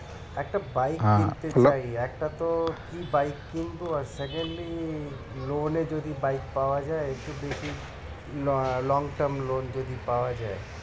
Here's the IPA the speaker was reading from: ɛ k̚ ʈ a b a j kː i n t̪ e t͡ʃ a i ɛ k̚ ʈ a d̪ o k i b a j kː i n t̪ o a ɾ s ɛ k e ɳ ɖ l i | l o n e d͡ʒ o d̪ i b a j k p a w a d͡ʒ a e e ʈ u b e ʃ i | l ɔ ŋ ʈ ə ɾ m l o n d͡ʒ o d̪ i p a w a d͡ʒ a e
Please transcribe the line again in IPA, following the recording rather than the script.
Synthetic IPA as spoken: ɛ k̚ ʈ a b a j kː i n t̪ e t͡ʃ a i ɛ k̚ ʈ a t̪ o k i b a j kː i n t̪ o a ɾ s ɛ k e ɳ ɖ l i | l o n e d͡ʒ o d̪ i b a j k p a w a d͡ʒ a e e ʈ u b e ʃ i | l ɔ ŋ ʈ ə ɾ m l o n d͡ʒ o d̪ i p a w a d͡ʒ a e